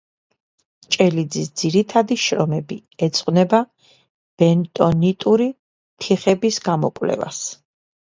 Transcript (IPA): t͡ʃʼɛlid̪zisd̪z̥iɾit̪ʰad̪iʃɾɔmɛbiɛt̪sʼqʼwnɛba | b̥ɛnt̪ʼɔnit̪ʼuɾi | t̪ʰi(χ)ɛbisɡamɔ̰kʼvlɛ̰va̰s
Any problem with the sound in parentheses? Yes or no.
no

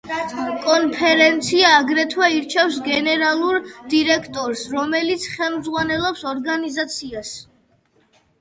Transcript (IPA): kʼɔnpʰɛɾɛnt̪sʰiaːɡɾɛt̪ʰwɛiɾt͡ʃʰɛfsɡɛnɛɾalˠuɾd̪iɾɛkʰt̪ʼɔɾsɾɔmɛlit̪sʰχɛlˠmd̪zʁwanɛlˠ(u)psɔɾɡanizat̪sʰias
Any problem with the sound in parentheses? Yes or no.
yes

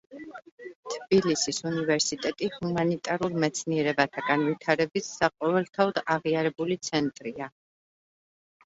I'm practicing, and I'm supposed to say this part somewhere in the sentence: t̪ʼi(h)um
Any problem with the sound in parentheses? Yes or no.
no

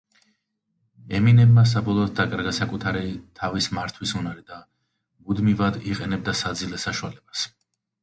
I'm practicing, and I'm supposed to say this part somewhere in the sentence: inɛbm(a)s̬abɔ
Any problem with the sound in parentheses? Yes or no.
no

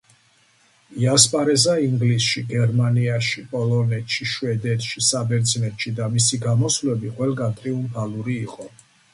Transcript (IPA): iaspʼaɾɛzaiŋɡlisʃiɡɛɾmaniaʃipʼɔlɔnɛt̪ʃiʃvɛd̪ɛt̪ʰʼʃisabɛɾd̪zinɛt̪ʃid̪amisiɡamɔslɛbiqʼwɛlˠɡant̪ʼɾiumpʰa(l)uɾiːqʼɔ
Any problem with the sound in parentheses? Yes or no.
no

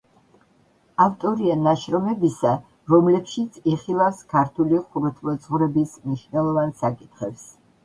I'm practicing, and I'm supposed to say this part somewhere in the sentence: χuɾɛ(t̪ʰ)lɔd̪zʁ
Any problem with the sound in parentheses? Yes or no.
no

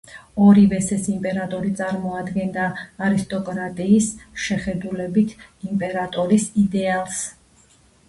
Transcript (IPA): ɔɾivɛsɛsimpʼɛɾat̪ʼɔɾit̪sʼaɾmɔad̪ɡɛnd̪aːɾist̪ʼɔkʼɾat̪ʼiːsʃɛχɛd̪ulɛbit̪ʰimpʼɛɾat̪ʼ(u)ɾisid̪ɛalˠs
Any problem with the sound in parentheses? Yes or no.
yes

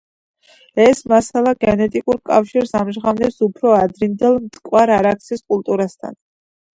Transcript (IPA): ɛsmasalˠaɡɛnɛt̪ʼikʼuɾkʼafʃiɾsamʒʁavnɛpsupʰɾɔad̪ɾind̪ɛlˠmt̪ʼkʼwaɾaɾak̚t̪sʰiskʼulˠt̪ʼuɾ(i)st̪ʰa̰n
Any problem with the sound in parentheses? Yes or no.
yes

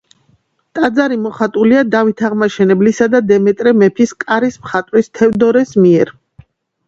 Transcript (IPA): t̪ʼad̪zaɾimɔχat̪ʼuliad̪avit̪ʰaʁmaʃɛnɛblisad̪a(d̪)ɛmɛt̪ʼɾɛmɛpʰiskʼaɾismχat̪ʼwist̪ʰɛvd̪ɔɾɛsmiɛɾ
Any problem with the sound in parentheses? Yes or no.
no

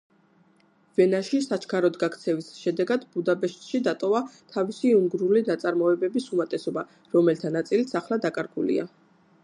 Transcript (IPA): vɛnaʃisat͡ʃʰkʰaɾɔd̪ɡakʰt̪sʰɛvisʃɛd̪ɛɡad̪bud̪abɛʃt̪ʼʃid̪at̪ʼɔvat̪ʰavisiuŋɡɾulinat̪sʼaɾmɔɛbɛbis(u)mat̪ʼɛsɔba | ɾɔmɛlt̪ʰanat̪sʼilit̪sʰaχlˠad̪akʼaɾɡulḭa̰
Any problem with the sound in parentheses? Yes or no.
no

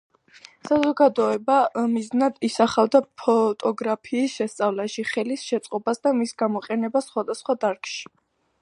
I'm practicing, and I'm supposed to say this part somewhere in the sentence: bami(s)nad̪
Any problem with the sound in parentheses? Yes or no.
yes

